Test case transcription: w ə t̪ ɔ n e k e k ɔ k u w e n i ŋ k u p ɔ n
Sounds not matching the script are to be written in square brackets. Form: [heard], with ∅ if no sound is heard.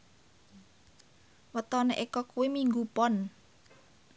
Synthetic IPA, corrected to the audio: w ə t̪ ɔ n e [ʔ] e k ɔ k u w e [m] i ŋ [ɡ] u p ɔ n